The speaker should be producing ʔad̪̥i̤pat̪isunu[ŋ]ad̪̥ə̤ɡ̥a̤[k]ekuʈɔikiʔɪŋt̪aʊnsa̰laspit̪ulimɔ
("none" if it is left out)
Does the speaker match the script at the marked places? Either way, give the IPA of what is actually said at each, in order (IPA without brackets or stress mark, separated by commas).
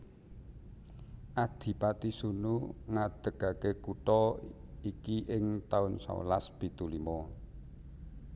ŋ, k